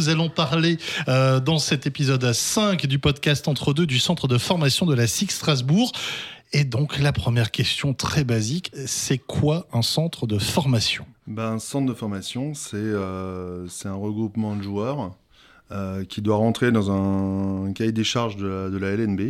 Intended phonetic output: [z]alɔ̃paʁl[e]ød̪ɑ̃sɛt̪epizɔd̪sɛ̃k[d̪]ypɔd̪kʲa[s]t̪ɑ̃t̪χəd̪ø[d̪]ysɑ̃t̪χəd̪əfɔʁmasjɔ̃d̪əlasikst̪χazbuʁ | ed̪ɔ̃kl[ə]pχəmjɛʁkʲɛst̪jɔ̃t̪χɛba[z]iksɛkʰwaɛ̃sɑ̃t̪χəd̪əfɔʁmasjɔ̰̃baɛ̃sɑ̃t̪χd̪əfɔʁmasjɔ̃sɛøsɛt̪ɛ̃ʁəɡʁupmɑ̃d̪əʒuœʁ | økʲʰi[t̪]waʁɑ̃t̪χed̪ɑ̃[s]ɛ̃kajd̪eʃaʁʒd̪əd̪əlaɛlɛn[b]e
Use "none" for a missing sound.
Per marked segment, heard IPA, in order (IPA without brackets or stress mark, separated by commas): z, e, d̪, s, d̪, a, z, d̪, z, b